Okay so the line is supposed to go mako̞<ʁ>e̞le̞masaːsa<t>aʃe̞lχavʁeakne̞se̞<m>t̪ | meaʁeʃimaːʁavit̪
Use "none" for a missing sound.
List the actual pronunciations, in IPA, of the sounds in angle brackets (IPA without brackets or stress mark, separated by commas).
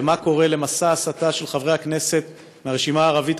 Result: ʁ, t, none